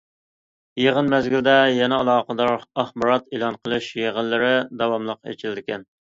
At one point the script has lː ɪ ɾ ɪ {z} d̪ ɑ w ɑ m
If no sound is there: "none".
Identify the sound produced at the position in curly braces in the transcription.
none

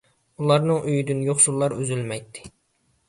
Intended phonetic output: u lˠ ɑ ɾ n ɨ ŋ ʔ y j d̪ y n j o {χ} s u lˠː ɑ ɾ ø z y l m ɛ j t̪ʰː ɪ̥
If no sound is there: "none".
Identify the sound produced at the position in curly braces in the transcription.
χ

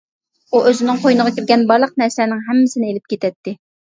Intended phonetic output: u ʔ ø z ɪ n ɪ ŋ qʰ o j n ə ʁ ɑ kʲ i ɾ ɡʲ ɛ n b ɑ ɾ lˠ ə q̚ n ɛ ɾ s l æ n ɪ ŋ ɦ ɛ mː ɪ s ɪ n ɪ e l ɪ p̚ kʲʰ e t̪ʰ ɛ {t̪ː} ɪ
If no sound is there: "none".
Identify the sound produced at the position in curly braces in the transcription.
t̪ː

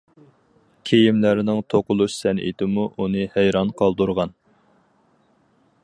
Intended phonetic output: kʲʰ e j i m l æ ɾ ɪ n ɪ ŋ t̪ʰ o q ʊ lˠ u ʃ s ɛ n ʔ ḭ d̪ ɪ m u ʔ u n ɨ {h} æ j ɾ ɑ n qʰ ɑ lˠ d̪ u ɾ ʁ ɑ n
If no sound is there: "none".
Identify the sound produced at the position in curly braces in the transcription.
h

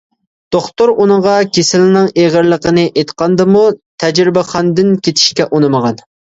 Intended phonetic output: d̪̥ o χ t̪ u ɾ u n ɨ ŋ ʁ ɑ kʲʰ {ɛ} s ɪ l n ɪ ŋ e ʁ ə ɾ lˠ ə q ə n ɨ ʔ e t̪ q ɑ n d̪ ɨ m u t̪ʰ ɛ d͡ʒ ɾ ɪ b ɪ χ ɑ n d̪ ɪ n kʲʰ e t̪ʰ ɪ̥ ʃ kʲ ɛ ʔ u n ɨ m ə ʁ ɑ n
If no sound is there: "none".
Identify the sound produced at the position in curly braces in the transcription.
e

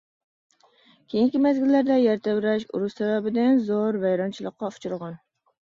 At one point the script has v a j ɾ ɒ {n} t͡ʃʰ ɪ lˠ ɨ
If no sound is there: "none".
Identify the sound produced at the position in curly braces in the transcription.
n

